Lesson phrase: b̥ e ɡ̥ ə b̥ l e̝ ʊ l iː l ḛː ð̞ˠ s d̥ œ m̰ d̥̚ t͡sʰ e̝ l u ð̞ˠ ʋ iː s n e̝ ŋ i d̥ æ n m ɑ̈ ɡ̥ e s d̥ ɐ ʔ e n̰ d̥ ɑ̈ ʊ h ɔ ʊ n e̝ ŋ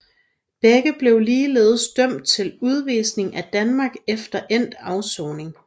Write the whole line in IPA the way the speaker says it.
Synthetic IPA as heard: b̥ e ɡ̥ ə b̥ l e̝ ʊ l iː l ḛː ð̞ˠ s d̥ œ m̰ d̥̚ t͡sʰ e̝ l u ð̞ˠ ʋ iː s n e̝ ŋ æ d̥ æ n m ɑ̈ ɡ̥ e f d̥ ɐ ʔ e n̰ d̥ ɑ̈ ʊ s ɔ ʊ n e̝ ŋ